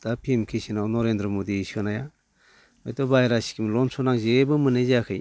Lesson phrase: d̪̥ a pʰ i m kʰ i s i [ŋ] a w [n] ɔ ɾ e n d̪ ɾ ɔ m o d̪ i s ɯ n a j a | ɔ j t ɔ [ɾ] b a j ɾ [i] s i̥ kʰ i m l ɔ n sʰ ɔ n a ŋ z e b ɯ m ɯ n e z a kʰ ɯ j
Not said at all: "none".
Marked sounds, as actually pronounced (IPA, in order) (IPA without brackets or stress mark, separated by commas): n, n, none, a